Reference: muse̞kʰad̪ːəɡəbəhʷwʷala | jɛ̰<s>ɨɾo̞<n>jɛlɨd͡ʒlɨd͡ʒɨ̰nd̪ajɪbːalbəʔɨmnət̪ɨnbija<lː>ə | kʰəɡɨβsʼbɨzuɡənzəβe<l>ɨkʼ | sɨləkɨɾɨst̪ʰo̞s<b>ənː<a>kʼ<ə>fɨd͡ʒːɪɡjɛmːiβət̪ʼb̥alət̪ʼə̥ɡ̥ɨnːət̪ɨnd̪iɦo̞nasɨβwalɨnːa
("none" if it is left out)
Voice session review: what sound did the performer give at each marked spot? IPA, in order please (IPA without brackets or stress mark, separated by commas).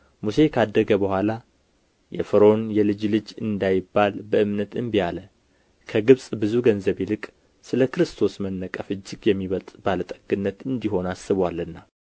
f, n, l, l, m, ə, ə